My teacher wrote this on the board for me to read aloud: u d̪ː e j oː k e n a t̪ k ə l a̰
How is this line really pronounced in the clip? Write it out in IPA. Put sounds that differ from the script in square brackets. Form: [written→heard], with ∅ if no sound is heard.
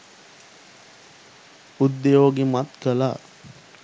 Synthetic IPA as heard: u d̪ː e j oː [k→ɡ] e [n→m] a t̪ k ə l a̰